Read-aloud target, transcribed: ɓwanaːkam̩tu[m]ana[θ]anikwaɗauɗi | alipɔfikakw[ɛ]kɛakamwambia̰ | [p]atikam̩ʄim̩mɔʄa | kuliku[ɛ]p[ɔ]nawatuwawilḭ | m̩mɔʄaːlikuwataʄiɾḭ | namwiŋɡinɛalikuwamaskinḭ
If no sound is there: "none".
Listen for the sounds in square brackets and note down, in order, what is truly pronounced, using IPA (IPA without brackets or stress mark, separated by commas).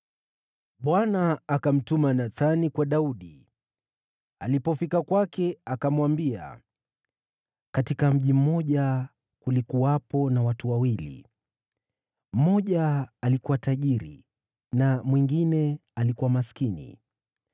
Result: m, θ, a, k, a, ɔ